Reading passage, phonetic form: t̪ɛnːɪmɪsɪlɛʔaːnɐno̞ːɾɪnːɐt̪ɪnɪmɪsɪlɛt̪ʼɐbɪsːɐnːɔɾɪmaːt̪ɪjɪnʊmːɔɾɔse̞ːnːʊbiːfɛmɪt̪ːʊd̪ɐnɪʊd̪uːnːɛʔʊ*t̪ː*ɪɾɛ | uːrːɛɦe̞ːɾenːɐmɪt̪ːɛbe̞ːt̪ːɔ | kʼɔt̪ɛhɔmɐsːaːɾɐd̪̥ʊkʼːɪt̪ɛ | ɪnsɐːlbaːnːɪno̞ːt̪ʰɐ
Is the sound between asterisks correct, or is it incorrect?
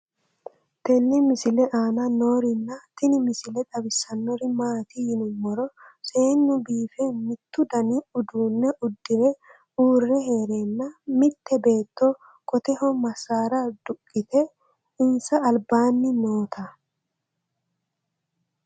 incorrect